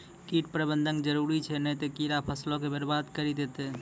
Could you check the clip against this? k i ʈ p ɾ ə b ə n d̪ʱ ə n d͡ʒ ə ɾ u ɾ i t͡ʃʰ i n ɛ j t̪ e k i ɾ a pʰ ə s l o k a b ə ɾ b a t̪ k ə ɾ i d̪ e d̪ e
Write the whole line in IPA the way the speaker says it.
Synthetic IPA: k i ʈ p ɾ ə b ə n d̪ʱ ə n d͡ʒ ə ɾ u ɾ i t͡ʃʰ ɛ n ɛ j t̪ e k i ɾ a pʰ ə s l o k e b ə ɾ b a d̪ k ə ɾ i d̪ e t̪ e

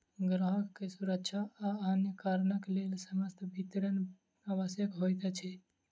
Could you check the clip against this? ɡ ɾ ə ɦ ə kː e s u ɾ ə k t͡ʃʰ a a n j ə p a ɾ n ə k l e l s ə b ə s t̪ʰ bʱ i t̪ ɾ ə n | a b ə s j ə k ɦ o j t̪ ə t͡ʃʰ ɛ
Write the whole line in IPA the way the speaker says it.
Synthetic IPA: ɡ ɾ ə ɦ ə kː e s u ɾ ə k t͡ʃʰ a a n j ə k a ɾ n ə k l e l s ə m ə s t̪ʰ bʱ i t̪ ɾ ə n | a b ə s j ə k ɦ o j t̪ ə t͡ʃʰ ɛ

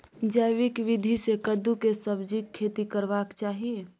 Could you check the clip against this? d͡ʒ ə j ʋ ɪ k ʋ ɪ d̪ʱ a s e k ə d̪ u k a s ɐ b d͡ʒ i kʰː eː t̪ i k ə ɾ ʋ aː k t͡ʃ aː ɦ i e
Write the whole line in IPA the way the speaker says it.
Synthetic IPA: d͡ʒ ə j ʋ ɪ k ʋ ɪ d̪ʱ i s e k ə d̪ u k e s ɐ b d͡ʒ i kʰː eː t̪ i k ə ɾ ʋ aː k t͡ʃ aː ɦ i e

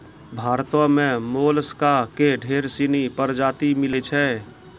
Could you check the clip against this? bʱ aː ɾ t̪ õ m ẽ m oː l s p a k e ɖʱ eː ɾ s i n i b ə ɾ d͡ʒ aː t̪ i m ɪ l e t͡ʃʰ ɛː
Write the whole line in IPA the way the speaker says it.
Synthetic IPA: bʱ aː ɾ t̪ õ m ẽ m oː l s k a k e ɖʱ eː ɾ s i n i p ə ɾ d͡ʒ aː t̪ i m ɪ l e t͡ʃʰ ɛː

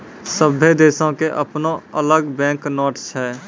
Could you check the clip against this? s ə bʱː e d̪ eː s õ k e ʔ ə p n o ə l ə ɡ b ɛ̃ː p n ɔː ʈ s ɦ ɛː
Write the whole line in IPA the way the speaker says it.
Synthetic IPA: s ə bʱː e d̪ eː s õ k e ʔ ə p n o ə l ə ɡ b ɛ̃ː k n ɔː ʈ s ɦ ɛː

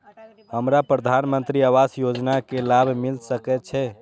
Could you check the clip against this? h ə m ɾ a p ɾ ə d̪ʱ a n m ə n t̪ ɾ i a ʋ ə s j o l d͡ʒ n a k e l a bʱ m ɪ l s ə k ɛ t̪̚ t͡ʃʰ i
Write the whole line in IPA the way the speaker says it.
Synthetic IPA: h ə m ɾ a p ɾ ə d̪ʱ a n m ə n t̪ ɾ i a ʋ a s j o d͡ʒ n a k e l a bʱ m i l s ə k ɛ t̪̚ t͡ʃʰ ɛ

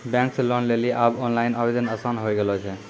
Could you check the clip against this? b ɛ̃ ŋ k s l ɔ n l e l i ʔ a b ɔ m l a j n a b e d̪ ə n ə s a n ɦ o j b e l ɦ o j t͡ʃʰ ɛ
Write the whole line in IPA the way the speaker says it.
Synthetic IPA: b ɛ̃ ŋ k s l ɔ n l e l i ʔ a b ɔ n l a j n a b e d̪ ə n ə s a n ɦ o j ɡ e l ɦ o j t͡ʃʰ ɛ

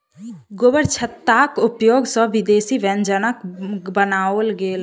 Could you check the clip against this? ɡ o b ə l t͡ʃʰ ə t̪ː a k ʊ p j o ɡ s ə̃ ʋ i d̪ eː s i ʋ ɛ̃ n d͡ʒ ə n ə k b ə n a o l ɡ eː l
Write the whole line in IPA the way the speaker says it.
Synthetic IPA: ɡ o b ə ɾ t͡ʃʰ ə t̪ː a k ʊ p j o ɡ s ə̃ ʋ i d̪ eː s i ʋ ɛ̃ n d͡ʒ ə n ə k b ə n a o l ɡ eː l

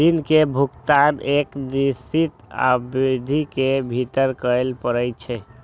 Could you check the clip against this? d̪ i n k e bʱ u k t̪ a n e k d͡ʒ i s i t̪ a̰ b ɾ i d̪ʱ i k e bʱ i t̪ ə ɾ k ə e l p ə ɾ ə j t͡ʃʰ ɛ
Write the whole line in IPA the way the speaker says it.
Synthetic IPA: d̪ i n k e bʱ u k t̪ a n e k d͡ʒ i s i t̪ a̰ b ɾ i d̪ʱ i k e bʱ i t̪ ə ɾ k ə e l p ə ɾ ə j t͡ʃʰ ɛ

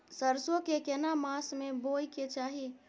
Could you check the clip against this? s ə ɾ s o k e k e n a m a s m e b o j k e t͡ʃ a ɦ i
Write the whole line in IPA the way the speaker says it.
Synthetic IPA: s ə ɾ s o k e k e n a m a s m e b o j k e t͡ʃ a ɦ i

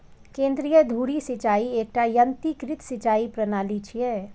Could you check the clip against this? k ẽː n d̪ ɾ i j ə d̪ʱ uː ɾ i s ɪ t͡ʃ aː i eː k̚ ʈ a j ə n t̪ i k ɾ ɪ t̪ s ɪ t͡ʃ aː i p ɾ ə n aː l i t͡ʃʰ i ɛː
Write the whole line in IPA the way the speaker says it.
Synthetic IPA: k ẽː n d̪ ɾ i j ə d̪ʱ uː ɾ i s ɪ t͡ʃ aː i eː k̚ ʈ a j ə n t̪ i k ɾ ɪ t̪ s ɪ t͡ʃ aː i p ɾ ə n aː l i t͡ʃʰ i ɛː

